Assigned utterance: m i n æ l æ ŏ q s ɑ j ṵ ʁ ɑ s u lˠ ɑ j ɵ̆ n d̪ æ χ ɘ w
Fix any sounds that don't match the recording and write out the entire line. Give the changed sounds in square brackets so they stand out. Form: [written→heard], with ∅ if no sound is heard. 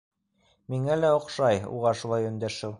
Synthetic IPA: m i [n→ŋ] æ l æ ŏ q [s→ʃ] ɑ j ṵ ʁ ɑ [s→ʃ] u lˠ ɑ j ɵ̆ n d̪ æ [χ→ʃ] ɘ w